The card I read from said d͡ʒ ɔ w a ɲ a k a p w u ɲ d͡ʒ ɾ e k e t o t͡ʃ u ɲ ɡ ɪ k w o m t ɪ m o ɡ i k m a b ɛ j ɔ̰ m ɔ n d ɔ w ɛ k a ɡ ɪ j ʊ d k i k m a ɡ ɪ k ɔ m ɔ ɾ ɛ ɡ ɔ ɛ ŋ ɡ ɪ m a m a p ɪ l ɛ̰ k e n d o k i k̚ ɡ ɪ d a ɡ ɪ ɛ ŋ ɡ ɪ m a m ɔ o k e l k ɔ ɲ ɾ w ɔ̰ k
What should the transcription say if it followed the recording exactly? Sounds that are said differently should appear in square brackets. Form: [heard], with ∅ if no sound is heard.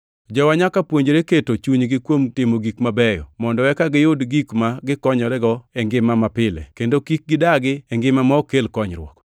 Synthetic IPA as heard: d͡ʒ ɔ w a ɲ a k a p w [o] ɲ d͡ʒ ɾ e k e t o t͡ʃ u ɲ ɡ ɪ k w o m t ɪ m o ɡ i k m a b ɛ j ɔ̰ m ɔ n d ɔ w ɛ k a ɡ ɪ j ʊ d [ɡ] i k m a ɡ ɪ k ɔ [ɲ] ɔ ɾ ɛ ɡ ɔ ɛ ŋ ɡ ɪ m a m a p ɪ l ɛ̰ k e n d o k i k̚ ɡ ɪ d a ɡ ɪ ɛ ŋ ɡ ɪ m a m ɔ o k e l k ɔ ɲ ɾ w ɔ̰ k